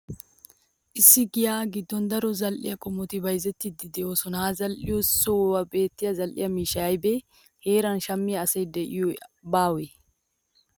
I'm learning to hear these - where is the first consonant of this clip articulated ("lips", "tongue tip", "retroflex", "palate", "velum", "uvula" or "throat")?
throat